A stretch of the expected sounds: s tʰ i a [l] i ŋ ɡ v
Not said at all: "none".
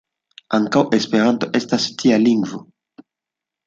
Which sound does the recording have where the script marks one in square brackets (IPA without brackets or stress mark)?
l